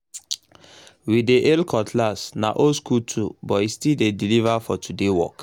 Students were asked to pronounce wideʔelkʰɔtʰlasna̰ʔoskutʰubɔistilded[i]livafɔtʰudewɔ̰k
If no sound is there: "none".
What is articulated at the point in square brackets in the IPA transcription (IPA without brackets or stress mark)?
i